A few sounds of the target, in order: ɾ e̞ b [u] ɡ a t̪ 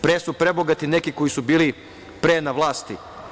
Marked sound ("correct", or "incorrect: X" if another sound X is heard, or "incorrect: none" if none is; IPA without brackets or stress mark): incorrect: o